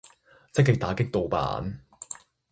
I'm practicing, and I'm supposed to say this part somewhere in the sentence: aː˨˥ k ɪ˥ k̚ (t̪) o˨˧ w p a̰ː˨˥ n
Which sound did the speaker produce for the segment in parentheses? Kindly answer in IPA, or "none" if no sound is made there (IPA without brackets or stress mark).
t̪